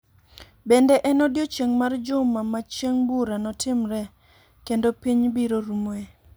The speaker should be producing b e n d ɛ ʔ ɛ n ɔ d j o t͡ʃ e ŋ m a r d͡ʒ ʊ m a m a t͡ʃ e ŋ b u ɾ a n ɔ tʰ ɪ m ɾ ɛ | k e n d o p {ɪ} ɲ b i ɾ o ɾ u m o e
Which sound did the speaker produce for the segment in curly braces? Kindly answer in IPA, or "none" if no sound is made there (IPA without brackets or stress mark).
i